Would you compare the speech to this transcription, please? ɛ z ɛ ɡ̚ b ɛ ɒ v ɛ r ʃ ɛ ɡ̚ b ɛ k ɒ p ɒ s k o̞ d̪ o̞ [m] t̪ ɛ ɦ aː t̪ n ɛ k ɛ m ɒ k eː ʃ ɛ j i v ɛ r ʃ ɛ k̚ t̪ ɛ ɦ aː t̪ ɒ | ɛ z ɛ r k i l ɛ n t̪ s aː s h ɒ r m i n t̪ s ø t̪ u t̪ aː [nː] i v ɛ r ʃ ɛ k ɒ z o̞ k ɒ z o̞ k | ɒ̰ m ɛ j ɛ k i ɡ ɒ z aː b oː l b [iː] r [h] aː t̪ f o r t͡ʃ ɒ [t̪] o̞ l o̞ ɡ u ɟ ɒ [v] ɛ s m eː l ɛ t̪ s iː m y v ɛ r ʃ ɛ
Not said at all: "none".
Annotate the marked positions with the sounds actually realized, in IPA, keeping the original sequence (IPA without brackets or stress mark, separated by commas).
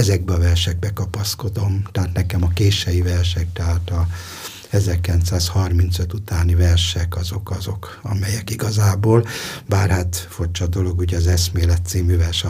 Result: m, n, aː, h, d̪, z